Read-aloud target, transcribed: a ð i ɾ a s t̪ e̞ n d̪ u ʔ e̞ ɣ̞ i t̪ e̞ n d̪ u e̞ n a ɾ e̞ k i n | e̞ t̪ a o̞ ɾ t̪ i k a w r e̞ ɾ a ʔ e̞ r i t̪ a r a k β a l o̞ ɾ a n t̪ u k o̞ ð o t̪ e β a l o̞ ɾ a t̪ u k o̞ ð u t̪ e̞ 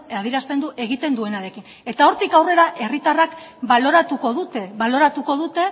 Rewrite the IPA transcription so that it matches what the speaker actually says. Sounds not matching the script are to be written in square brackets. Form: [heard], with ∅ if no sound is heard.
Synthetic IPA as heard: a ð i ɾ a s t̪ e̞ n d̪ u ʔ e̞ ɣ̞ i t̪ e̞ n d̪ u e̞ n a ɾ e̞ k i n | e̞ t̪ a o̞ ɾ t̪ i k a w r e̞ ɾ a ʔ e̞ r i t̪ a r a k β a l o̞ ɾ a [∅] t̪ u k o̞ ð [u] t̪ e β a l o̞ ɾ a t̪ u k o̞ ð u t̪ e̞